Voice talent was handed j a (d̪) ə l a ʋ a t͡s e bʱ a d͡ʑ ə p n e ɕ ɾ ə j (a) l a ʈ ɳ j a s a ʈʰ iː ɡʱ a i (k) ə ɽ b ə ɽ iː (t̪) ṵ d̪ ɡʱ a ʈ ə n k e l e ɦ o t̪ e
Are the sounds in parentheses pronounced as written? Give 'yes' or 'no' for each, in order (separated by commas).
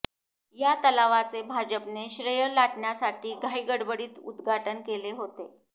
no, no, no, yes